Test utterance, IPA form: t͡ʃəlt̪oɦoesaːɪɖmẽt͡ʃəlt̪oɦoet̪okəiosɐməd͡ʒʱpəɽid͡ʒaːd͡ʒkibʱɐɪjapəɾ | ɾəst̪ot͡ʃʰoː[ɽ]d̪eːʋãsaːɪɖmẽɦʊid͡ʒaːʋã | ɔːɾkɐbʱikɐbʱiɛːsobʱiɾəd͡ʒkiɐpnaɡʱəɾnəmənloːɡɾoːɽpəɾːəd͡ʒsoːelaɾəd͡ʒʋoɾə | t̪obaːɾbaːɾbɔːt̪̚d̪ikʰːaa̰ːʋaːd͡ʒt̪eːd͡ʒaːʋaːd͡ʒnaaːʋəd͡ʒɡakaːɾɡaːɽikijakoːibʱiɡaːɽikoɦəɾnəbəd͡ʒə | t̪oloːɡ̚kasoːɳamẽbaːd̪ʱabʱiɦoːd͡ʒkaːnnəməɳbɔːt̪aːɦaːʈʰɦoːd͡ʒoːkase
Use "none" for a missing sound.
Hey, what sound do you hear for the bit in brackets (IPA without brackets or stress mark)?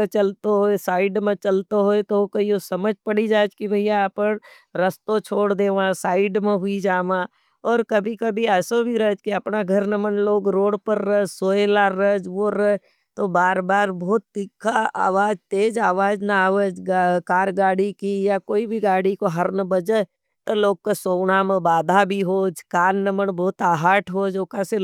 ɽ